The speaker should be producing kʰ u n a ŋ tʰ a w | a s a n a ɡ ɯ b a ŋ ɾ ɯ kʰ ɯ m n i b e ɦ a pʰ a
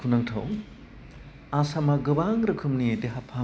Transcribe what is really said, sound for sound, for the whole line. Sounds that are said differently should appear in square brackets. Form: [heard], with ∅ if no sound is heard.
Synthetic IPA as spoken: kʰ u n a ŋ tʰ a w | a s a [m] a ɡ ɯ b a ŋ ɾ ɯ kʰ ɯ m n i [d] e ɦ a pʰ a